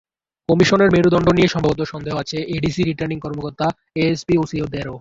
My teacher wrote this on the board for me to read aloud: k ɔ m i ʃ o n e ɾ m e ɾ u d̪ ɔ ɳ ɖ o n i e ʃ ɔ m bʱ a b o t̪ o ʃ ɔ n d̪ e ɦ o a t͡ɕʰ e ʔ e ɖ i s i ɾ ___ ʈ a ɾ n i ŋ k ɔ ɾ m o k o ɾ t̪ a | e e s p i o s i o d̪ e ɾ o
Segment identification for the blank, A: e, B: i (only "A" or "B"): B